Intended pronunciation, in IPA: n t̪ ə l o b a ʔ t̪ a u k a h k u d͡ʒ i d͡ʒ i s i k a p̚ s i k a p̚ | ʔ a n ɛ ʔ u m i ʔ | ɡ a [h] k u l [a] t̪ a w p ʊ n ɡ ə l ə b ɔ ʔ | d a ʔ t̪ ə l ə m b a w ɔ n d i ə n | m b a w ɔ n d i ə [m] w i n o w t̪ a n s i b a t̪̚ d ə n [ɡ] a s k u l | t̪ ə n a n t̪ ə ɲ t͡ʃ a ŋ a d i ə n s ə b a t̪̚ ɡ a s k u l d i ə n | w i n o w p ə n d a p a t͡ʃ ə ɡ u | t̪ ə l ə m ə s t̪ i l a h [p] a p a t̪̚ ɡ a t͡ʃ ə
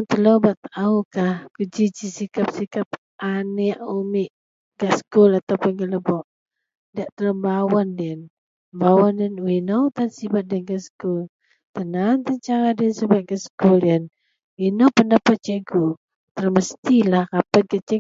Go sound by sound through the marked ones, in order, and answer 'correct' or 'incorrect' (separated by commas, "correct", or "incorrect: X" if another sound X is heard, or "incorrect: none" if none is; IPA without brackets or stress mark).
incorrect: s, correct, incorrect: n, correct, incorrect: k